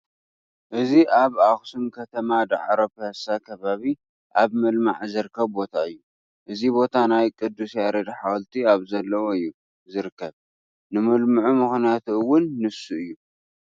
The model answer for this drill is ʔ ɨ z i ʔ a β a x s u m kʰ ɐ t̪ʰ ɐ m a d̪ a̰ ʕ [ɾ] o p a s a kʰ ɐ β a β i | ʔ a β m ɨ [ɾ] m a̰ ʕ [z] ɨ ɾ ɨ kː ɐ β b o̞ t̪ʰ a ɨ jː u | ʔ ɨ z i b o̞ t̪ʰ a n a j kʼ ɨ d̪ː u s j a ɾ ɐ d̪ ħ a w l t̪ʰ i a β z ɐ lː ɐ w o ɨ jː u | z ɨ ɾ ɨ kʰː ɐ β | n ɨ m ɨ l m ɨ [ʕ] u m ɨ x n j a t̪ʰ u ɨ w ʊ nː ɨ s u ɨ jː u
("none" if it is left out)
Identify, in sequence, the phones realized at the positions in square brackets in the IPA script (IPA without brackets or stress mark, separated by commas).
ɾ, l, z, ʕ